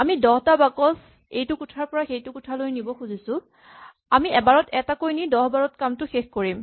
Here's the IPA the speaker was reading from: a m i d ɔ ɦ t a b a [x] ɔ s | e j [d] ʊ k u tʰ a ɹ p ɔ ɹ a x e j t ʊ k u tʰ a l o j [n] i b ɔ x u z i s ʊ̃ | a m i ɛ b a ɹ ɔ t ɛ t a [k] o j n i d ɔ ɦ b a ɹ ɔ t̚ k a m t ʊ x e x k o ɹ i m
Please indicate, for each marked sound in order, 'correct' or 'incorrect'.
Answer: incorrect, incorrect, correct, correct

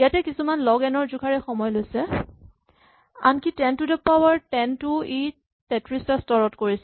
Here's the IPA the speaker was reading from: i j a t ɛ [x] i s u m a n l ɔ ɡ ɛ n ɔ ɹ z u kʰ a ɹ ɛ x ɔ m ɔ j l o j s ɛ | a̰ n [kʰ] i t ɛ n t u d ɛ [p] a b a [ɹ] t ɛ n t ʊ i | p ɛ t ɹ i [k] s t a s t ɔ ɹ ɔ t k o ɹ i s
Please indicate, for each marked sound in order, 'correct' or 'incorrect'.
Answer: incorrect, incorrect, correct, correct, incorrect

